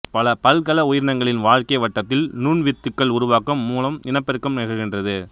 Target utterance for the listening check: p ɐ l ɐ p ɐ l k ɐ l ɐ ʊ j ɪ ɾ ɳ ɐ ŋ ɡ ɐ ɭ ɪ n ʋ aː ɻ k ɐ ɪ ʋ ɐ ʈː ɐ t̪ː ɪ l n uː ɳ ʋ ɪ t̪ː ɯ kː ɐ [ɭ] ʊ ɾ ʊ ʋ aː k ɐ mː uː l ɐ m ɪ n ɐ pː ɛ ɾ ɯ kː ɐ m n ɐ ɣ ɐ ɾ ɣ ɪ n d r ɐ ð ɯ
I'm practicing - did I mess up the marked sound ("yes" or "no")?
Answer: no